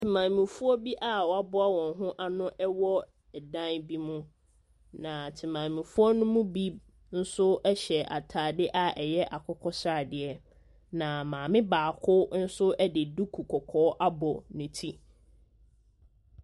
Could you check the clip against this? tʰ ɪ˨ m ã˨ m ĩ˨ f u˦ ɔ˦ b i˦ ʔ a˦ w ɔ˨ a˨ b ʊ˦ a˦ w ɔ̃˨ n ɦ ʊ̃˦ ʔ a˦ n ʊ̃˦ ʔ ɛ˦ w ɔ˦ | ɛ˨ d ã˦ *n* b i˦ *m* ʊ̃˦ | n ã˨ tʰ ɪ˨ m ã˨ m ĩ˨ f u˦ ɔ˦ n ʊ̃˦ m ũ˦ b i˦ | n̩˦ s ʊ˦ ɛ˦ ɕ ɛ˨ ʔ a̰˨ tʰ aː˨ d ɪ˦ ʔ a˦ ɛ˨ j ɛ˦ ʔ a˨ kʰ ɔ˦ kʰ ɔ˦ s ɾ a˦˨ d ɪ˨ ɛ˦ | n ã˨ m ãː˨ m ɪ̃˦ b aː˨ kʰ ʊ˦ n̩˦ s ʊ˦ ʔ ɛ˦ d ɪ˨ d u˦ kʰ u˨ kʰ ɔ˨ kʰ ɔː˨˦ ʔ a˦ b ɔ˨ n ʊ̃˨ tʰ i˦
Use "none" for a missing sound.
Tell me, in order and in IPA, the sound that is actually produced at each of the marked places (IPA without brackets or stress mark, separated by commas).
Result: n, m